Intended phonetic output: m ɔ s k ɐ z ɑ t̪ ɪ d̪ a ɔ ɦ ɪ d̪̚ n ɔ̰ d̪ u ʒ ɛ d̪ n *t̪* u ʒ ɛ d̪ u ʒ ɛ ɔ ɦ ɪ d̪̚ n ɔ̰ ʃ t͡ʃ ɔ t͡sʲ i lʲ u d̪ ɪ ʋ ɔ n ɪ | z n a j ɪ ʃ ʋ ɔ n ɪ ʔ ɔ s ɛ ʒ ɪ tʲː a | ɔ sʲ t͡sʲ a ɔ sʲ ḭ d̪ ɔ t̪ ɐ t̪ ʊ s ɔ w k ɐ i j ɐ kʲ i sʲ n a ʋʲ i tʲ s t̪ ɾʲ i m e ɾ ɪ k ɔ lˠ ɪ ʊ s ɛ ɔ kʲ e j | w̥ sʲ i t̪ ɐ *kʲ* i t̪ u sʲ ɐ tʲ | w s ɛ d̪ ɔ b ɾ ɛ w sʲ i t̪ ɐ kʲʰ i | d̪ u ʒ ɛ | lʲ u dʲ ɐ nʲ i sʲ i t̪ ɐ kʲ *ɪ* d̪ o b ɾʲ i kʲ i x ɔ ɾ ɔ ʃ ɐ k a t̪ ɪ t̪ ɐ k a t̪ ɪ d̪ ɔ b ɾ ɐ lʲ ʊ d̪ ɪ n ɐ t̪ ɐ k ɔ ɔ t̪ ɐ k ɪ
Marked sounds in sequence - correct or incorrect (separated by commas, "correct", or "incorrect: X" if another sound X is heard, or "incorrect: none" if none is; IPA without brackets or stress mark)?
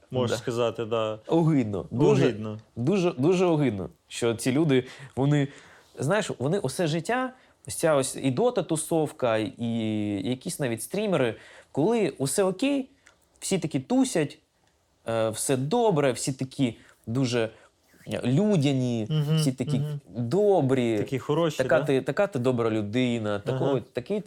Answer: incorrect: d̪, correct, incorrect: i